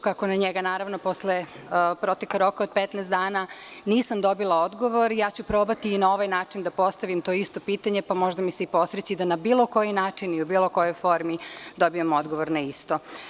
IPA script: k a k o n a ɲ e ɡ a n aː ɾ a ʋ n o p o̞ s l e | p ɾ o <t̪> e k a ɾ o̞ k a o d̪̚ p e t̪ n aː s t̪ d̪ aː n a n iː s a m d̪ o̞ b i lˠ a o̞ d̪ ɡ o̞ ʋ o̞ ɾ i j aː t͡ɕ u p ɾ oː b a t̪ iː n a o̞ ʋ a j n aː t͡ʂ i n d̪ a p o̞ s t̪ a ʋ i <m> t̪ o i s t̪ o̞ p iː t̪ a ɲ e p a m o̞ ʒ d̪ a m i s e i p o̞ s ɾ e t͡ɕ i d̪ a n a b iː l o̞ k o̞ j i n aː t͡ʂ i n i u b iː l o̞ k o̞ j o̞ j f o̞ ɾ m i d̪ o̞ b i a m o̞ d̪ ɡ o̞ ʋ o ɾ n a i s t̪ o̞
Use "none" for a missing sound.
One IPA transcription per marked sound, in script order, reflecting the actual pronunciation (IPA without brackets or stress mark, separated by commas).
t̪, m